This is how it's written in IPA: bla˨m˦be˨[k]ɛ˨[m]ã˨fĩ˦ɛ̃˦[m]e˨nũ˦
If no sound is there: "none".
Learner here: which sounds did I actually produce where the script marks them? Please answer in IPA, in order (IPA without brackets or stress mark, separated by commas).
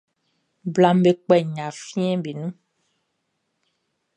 k͡p, ɲ, b